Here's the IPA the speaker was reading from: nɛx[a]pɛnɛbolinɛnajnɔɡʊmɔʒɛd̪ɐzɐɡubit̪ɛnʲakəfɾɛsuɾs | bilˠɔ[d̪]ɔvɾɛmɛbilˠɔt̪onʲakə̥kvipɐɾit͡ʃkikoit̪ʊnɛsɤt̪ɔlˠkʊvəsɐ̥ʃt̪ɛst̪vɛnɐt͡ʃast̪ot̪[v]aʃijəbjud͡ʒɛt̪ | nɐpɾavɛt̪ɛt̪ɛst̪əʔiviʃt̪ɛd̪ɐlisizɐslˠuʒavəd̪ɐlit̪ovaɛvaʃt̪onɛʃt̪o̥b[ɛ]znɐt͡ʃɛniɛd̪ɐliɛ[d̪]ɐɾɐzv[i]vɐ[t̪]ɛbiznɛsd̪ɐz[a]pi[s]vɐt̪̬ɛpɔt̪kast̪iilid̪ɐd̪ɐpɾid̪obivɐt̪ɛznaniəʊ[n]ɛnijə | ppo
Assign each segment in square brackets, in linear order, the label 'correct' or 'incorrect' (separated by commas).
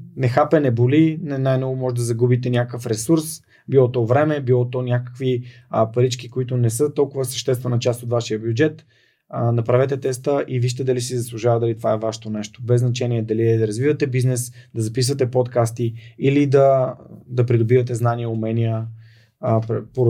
correct, incorrect, correct, correct, correct, correct, correct, incorrect, correct, incorrect